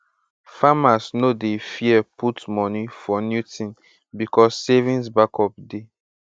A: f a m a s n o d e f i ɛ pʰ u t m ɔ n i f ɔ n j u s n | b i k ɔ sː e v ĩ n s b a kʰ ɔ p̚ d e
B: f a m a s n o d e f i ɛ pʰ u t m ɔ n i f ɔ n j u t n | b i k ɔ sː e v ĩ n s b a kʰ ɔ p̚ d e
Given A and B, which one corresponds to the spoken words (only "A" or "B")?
B